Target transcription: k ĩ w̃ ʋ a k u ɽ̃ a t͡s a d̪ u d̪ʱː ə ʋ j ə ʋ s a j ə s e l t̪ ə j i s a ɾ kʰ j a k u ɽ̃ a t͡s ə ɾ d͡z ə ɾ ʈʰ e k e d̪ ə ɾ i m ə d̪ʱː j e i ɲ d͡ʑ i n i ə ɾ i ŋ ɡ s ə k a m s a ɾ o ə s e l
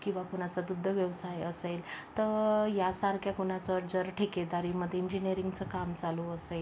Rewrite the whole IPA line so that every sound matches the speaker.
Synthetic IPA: k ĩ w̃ ʋ a k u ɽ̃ a t͡s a d̪ u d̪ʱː ə ʋ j ə ʋ s a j ə s e l t̪ ə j a s a ɾ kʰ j a k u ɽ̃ a t͡s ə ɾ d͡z ə ɾ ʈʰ e k e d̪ a ɾ i m ə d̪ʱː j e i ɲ d͡ʑ i n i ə ɾ i ŋ ɡ t͡s ə k a m t͡s a l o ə s e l

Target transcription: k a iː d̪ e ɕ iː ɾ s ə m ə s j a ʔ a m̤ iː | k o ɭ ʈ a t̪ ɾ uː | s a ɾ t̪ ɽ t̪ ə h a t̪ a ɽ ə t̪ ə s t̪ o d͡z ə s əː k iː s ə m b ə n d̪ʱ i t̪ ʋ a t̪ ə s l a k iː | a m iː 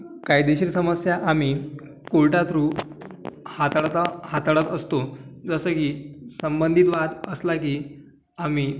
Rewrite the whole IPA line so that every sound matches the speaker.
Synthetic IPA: k a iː d̪ e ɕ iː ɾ s ə m ə s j a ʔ a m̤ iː | k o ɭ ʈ a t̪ ɾ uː | h a t̪ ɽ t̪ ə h a t̪ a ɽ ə t̪ ə s t̪ o d͡z ə s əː k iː s ə m b ə n d̪ʱ i t̪ ʋ a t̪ ə s l a k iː | a m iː

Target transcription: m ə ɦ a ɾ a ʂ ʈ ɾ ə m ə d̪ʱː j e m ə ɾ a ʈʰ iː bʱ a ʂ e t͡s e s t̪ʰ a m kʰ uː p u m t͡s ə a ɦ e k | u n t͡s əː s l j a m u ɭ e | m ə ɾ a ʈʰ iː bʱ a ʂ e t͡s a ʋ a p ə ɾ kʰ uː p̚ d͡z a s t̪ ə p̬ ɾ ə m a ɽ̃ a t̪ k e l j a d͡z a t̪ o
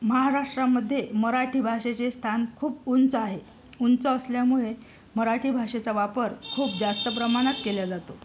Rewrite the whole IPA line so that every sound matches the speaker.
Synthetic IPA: m ə ɦ a ɾ a ʂ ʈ ɾ a m ə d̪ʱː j e m ə ɾ a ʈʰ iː bʱ a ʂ e t͡s e s t̪ʰ a n kʰ uː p u n t͡s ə a ɦ e | u n t͡s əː s l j a m u ɭ e | m ə ɾ a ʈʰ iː bʱ a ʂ e t͡s a ʋ a p ə ɾ kʰ uː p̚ d͡z a s t̪ ə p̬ ɾ ə m a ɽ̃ a t̪ k e l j a d͡z a t̪ o

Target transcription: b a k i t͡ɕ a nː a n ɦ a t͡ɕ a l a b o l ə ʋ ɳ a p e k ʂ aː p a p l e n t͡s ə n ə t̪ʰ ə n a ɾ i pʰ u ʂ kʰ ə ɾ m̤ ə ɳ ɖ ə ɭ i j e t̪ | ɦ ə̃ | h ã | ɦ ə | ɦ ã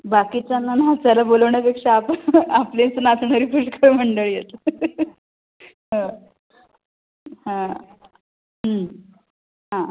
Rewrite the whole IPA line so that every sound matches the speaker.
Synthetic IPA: b a k i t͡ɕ a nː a n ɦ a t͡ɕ a l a b o l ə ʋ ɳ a p e k ʂ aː p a p l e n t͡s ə n a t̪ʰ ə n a ɾ i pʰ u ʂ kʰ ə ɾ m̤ ə ɳ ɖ ə ɭ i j e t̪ | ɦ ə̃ | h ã | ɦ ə | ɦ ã

